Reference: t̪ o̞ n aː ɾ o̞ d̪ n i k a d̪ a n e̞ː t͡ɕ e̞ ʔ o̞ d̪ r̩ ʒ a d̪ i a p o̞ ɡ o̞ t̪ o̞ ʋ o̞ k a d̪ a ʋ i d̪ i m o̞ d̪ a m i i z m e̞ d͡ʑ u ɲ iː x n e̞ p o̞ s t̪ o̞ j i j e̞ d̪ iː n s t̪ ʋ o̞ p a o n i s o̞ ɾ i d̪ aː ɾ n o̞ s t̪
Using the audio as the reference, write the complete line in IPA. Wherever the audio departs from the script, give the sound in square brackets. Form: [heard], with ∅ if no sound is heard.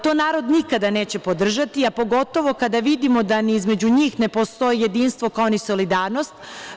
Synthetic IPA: t̪ o̞ n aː ɾ o̞ d̪ n i k a d̪ a n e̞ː t͡ɕ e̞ [p] o̞ d̪ r̩ ʒ a [t̪] i a p o̞ ɡ o̞ t̪ o̞ ʋ o̞ k a d̪ a ʋ i d̪ i m o̞ d̪ a [n] i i z m e̞ d͡ʑ u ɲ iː x n e̞ p o̞ s t̪ o̞ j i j e̞ d̪ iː n s t̪ ʋ o̞ [k] a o n i s o̞ [l] i d̪ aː ɾ n o̞ s t̪